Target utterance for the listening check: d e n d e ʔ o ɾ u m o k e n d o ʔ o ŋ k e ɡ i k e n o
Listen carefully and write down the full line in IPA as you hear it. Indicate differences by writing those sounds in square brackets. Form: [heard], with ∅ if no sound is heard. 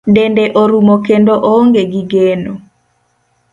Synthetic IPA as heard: d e n d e ʔ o ɾ u m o k e n d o ʔ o ŋ [ɡ] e ɡ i [ɡ] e n o